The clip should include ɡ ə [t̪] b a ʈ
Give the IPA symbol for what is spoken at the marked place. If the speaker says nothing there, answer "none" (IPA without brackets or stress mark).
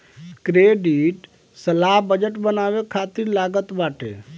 t̪